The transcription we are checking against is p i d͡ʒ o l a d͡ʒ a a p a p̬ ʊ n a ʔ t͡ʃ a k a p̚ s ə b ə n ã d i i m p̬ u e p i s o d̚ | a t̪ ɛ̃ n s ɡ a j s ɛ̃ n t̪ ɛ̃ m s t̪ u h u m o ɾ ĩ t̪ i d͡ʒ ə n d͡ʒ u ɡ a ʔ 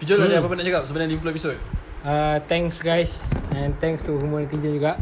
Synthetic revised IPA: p i d͡ʒ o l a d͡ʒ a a p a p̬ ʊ n a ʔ t͡ʃ a k a p̚ s ə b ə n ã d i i m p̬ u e p i s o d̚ | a t̪ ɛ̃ ŋ s ɡ a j s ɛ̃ n t̪ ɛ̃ ŋ s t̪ u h u m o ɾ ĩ t̪ i d͡ʒ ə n d͡ʒ u ɡ a ʔ